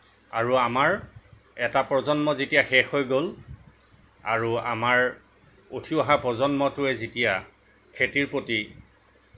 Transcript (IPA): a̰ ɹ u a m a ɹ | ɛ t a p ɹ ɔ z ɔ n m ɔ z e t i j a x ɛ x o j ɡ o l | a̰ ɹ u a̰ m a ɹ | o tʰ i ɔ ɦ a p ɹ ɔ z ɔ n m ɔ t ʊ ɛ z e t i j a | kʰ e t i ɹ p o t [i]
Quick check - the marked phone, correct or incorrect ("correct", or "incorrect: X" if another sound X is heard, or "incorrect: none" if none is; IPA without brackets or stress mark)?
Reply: correct